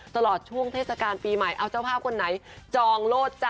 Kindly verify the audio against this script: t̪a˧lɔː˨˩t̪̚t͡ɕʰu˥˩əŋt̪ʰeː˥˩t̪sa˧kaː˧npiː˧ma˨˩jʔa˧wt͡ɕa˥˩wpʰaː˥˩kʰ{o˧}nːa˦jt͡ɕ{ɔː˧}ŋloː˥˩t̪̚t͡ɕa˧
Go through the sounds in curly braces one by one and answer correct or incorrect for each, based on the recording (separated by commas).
correct, correct